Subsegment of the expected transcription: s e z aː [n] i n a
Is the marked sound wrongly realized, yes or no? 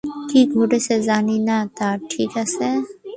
no